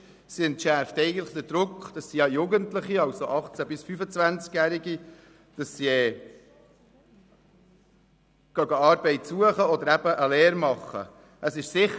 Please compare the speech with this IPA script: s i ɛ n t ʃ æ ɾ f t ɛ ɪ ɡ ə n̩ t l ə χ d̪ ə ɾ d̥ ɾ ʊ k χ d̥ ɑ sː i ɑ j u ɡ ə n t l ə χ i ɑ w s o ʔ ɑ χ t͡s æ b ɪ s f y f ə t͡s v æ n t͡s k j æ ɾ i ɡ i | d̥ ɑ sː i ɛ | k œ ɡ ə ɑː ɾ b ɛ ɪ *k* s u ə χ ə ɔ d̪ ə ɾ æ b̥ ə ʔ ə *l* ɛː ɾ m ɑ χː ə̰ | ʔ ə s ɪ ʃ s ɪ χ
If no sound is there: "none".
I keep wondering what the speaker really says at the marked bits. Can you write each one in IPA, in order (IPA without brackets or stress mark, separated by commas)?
t, l